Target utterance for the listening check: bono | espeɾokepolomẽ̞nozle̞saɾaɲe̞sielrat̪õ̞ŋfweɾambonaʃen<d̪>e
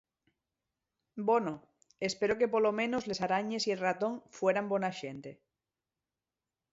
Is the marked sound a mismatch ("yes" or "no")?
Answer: yes